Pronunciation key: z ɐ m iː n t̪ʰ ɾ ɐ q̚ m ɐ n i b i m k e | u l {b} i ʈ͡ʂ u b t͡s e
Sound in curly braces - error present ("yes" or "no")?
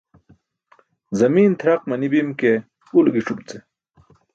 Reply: yes